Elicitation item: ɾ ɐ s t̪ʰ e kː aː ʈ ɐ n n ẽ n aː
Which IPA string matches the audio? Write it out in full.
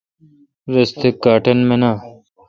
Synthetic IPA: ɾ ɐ s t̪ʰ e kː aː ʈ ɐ n m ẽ n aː